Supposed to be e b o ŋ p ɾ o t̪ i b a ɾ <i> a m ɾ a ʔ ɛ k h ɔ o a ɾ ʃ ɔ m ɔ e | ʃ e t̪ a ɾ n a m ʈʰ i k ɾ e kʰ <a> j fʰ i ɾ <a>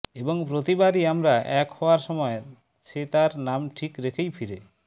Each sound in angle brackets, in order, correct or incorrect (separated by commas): correct, incorrect, incorrect